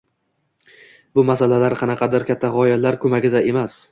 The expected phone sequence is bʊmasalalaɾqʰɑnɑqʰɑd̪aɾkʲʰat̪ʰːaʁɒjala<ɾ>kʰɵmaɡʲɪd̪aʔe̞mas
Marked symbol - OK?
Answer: yes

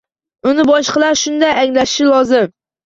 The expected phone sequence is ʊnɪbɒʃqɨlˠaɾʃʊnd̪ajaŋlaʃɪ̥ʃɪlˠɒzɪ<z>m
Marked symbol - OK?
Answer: no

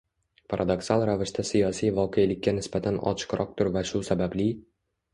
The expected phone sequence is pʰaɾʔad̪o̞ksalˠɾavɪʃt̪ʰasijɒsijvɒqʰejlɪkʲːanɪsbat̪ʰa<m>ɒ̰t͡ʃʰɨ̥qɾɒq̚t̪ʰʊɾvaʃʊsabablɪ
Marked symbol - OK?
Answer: no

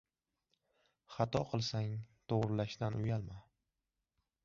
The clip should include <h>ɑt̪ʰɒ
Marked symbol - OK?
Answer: no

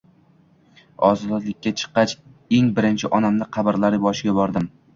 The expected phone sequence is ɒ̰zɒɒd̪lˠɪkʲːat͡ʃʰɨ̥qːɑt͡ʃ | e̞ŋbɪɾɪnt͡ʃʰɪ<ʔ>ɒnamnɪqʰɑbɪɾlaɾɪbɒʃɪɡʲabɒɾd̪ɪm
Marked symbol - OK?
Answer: yes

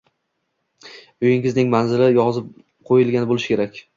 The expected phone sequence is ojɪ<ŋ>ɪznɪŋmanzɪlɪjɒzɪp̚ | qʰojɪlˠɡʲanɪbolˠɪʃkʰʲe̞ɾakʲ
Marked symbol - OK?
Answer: yes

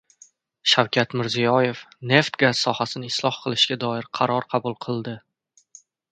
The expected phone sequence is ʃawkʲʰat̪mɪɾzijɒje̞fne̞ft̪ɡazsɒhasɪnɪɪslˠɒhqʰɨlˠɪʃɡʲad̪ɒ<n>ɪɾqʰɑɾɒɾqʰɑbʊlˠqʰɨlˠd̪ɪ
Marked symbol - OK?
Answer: no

